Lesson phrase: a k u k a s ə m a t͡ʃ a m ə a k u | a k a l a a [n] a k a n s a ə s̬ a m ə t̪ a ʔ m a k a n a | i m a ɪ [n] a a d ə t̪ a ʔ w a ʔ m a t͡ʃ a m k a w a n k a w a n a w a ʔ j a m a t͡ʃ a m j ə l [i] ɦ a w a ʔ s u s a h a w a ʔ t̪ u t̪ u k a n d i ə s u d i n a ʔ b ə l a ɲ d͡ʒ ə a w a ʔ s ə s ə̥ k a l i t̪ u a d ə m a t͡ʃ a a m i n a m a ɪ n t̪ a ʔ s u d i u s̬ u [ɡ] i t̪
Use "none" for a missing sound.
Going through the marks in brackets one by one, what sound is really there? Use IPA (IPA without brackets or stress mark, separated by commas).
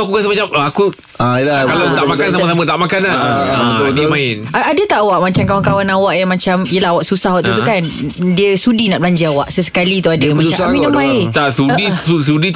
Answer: m, n, a, d